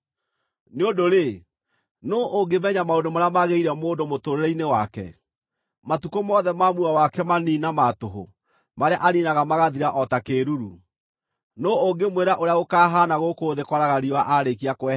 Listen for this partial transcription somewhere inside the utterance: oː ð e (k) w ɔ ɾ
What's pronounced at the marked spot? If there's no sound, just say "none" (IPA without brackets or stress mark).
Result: k